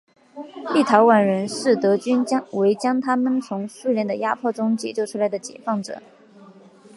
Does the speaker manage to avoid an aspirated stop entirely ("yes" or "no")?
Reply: no